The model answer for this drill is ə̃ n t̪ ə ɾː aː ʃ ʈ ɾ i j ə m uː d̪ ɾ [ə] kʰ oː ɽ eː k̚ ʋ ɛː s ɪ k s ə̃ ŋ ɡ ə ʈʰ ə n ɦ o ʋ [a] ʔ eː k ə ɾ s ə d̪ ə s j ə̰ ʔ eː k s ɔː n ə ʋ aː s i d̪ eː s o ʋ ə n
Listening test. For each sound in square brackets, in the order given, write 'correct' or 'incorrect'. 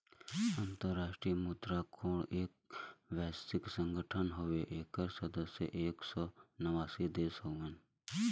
incorrect: a, incorrect: e

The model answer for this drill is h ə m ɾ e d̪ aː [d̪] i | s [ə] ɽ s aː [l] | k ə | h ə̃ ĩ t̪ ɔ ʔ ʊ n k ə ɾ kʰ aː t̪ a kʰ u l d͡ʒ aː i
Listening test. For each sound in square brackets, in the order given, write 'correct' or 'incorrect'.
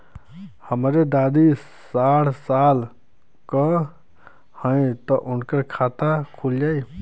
correct, incorrect: a, correct

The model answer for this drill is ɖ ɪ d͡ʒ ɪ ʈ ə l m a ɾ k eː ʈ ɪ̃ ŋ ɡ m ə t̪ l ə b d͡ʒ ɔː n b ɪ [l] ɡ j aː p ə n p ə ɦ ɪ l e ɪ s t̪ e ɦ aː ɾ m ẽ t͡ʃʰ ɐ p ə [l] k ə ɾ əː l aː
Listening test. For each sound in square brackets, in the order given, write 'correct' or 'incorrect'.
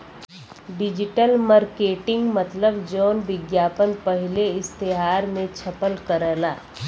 incorrect: none, correct

